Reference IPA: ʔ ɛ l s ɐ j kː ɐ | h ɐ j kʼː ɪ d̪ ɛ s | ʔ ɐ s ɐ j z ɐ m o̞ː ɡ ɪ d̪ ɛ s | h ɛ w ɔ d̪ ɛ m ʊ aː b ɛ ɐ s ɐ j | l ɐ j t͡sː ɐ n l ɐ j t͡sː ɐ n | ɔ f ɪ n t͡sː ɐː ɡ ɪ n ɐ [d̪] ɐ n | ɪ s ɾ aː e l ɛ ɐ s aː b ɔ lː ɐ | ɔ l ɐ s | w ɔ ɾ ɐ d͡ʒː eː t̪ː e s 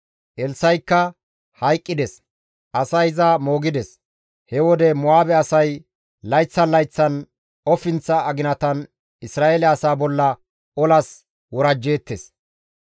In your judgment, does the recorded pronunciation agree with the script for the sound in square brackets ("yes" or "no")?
no